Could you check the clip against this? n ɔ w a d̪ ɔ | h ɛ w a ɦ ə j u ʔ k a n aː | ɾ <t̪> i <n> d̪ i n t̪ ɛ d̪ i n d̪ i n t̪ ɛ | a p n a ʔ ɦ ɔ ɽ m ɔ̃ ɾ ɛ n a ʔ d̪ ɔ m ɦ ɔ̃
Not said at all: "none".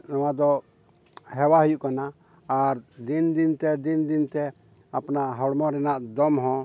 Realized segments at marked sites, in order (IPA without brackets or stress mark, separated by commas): d̪, n